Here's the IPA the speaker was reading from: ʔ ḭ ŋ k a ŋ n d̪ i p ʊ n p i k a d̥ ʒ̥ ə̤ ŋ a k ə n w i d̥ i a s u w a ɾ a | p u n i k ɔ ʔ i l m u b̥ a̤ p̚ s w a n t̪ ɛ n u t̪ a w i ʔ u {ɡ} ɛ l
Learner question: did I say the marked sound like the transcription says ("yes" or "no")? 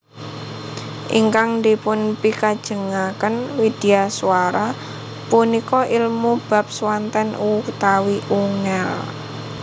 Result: no